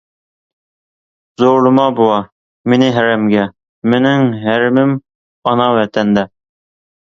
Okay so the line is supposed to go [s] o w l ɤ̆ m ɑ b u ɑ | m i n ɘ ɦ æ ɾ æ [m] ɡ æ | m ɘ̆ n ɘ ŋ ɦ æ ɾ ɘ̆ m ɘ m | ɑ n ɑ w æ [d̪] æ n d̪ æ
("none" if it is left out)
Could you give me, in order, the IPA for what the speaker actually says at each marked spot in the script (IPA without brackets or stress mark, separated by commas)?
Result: z, m, t̪